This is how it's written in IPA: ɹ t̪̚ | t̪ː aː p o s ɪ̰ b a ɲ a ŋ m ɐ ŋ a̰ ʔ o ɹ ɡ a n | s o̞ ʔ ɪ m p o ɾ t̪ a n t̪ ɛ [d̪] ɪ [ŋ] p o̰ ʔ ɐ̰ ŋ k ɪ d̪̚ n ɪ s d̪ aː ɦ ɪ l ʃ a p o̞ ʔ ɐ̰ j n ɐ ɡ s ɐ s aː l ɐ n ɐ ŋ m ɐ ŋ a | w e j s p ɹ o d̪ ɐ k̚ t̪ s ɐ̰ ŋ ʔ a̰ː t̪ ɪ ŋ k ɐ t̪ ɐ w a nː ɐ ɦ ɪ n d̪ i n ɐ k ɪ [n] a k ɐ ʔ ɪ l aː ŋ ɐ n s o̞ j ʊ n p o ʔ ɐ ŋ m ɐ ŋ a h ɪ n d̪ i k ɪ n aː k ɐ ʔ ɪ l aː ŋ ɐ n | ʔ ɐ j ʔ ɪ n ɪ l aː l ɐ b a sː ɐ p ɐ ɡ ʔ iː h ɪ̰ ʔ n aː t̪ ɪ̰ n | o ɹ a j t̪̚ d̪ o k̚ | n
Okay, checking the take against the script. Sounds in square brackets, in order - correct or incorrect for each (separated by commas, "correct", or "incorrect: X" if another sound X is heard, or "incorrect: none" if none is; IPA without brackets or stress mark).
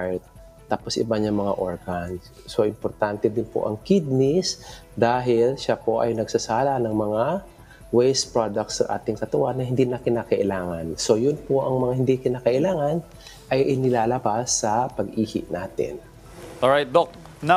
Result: correct, incorrect: n, correct